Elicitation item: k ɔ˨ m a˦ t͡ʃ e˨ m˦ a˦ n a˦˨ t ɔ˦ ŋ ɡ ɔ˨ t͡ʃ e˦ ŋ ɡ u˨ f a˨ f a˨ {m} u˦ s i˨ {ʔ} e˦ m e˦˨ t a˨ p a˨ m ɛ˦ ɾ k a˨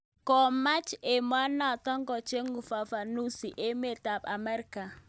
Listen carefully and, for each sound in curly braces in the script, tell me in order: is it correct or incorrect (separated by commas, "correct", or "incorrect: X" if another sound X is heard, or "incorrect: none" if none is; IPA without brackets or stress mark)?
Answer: incorrect: n, correct